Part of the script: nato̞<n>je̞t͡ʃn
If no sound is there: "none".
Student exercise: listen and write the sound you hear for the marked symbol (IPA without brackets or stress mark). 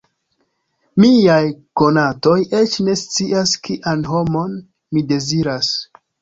none